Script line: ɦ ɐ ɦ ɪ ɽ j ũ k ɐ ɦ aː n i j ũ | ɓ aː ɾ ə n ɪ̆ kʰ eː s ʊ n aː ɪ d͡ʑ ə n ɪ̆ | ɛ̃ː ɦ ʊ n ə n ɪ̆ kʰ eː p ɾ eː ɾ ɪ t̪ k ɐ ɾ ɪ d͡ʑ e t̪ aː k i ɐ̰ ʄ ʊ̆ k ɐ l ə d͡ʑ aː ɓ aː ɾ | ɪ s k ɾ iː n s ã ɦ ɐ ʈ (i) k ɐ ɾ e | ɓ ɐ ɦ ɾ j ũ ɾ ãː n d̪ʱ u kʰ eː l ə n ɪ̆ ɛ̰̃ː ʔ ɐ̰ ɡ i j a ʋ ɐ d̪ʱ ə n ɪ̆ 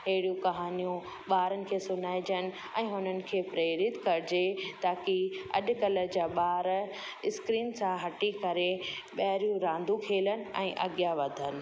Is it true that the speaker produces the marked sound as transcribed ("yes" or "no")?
yes